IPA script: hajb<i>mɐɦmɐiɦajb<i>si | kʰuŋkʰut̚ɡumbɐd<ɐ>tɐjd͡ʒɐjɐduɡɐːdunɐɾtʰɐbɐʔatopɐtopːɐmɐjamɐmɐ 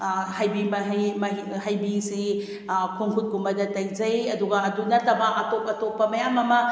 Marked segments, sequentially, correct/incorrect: correct, correct, correct

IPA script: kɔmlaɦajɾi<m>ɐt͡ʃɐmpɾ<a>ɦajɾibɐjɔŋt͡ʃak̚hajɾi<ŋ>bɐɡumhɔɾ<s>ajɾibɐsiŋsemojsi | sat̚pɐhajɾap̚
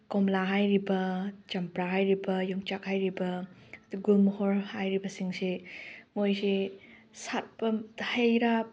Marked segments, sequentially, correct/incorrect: incorrect: b, correct, incorrect: none, incorrect: h

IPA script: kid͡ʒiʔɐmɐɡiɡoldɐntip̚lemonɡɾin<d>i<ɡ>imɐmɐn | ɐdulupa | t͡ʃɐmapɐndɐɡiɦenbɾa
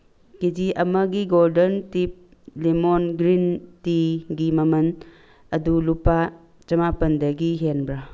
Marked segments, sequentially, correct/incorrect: incorrect: t, correct

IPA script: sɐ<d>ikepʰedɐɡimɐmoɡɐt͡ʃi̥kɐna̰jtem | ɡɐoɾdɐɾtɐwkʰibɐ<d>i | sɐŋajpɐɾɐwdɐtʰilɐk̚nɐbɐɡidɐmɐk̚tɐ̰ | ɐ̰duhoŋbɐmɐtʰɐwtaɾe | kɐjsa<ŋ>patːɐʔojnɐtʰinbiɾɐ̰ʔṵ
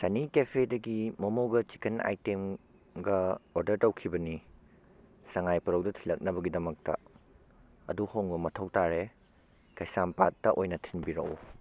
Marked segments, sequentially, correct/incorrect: incorrect: n, incorrect: n, incorrect: m

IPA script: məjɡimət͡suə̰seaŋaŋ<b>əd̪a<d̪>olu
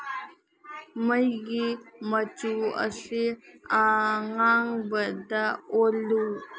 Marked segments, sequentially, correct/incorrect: correct, incorrect: none

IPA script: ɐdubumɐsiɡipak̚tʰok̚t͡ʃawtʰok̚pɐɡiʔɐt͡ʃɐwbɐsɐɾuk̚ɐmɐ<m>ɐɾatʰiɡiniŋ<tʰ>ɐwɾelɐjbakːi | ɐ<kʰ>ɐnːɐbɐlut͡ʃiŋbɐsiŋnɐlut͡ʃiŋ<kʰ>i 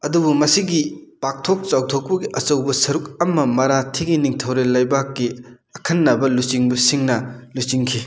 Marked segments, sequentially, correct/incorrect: correct, correct, correct, correct

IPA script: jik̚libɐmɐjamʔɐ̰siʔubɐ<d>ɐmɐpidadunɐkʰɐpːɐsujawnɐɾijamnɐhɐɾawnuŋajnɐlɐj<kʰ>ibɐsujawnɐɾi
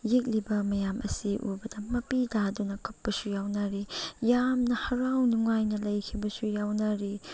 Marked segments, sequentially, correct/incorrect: correct, correct

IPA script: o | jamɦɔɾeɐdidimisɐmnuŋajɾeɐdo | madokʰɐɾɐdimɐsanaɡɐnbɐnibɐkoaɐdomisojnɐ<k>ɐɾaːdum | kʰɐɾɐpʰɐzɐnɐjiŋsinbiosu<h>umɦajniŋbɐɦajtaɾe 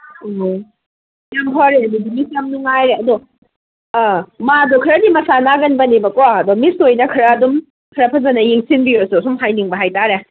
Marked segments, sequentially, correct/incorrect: incorrect: kʰ, incorrect: s

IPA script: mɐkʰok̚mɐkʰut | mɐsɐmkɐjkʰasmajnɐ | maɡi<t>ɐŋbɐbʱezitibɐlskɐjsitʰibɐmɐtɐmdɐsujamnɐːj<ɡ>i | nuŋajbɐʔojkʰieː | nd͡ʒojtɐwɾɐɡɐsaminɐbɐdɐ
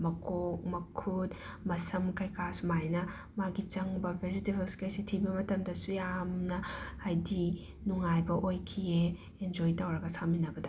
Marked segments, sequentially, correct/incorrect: incorrect: t͡ʃ, incorrect: d

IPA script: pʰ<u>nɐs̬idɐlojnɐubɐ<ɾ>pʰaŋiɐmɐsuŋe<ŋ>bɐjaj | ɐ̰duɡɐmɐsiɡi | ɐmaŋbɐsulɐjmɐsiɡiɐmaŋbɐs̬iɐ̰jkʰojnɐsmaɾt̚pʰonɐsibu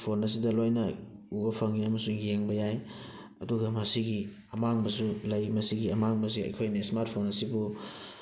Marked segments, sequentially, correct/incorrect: incorrect: o, incorrect: none, correct

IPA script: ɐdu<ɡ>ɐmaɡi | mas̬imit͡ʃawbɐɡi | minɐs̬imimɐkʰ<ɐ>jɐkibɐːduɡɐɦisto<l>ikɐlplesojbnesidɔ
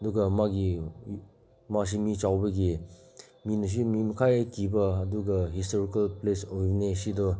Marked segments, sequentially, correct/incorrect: correct, incorrect: a, incorrect: ɾ

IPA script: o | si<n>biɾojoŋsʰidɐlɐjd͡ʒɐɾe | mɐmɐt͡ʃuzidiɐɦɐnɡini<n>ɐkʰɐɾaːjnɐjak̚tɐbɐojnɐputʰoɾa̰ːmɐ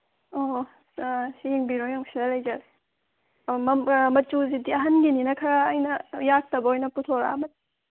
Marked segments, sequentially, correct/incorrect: incorrect: ŋ, correct

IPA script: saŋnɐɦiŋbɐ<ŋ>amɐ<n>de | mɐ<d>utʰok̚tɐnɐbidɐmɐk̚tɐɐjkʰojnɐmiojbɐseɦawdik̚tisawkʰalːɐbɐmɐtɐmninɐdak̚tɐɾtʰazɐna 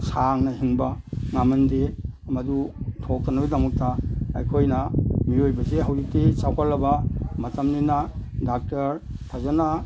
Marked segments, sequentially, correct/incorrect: correct, correct, correct

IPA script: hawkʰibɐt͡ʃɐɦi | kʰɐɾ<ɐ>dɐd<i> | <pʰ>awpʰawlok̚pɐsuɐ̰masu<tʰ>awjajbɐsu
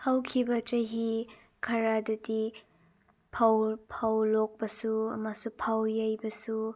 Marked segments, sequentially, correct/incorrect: incorrect: a, correct, correct, incorrect: pʰ

